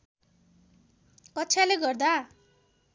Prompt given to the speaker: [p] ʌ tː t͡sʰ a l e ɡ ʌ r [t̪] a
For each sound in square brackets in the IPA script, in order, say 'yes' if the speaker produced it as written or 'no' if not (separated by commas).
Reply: no, no